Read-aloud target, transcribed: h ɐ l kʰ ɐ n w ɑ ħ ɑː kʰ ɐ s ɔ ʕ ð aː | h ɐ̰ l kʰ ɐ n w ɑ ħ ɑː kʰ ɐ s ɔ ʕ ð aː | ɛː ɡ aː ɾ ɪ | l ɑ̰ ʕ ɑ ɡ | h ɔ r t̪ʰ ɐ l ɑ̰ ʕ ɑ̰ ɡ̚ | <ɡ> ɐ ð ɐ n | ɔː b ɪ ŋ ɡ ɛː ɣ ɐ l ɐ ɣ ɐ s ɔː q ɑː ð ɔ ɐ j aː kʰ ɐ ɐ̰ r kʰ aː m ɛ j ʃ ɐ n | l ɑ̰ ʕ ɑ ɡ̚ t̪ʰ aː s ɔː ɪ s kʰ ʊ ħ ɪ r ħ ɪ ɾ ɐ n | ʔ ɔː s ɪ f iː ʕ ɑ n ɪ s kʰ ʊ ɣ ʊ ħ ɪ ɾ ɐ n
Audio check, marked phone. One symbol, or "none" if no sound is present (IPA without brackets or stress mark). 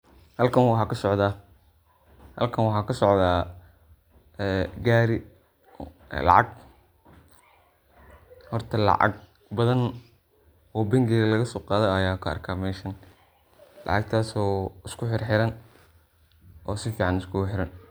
b